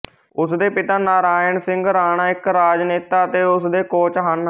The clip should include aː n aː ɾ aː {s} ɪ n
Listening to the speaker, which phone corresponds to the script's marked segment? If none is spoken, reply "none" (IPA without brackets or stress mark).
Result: none